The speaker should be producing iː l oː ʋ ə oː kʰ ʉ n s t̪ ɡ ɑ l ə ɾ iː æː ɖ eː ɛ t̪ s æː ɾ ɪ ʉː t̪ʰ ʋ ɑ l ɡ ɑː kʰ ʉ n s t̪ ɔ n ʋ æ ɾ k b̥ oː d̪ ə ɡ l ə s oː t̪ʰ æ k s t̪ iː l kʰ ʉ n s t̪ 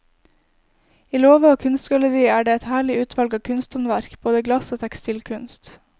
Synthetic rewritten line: iː l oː ʋ ə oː kʰ ʉ n s t̪ ɡ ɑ l ə ɾ iː æː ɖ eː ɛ t̪ h æː ɭ ɪ ʉː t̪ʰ ʋ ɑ l ɡ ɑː kʰ ʉ n s t̪ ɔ n ʋ æ ɾ k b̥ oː d̪ ə ɡ l ɑ s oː t̪ʰ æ k s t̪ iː l kʰ ʉ n s t̪